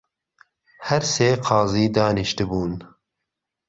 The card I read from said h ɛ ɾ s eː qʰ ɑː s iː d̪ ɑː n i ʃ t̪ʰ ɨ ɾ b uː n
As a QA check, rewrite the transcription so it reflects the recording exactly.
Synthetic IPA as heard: h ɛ ɾ s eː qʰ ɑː z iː d̪ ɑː n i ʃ t̪ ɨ b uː n

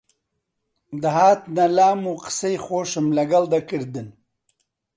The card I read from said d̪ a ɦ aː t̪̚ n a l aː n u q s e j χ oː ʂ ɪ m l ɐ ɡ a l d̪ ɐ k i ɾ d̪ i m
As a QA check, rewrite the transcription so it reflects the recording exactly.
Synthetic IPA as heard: d̪ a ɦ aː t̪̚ n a l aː m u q s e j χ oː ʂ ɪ m l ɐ ɡ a l d̪ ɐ k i ɾ d̪ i n

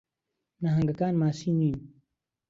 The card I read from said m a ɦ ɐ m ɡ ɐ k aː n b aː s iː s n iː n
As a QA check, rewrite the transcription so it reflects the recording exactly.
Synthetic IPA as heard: n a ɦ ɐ ŋ ɡ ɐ k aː n m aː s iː n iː n

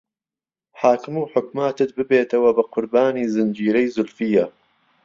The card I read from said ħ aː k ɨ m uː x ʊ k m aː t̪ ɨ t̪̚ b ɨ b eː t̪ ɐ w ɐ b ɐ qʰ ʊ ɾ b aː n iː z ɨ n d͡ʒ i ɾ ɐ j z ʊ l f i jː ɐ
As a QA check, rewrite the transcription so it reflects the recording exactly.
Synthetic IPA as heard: ħ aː k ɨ m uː ħ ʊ k m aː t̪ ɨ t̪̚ b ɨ b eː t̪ ɐ w ɐ b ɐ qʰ ʊ ɾ b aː n iː z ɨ n d͡ʒ iː ɾ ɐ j z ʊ l f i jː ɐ

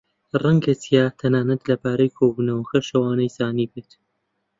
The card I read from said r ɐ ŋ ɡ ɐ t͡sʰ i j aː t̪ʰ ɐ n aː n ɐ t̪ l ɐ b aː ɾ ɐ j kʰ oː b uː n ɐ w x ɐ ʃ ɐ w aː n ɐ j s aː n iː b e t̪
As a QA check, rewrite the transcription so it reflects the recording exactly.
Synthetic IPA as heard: r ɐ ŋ ɡ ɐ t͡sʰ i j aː t̪ʰ ɐ n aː n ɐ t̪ l ɐ b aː ɾ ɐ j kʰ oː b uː n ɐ w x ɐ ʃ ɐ w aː n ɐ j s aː n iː b e t̪

